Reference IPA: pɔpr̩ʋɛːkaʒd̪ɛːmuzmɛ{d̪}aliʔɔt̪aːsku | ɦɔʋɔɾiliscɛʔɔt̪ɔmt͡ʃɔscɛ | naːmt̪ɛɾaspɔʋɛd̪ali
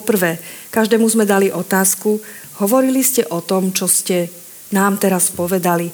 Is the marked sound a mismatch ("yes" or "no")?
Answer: no